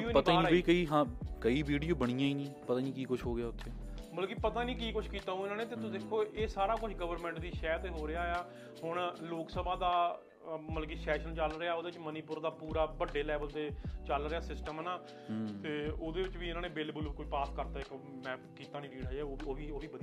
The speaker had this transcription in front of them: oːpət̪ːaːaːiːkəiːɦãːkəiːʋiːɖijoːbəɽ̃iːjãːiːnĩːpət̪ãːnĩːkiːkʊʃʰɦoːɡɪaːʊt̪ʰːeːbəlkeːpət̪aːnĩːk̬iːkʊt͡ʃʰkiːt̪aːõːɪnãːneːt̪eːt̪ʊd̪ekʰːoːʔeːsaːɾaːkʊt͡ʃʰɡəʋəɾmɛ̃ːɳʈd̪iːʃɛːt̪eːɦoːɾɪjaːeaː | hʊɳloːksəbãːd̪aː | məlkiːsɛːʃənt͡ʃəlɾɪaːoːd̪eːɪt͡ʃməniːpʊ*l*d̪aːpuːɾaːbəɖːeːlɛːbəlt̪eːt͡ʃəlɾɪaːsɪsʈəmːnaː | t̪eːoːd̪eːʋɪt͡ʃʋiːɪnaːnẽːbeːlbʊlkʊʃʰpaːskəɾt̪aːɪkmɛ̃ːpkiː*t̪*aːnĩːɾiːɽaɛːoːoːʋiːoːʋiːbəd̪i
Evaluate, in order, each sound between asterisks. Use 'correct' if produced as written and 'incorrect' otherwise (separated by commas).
incorrect, correct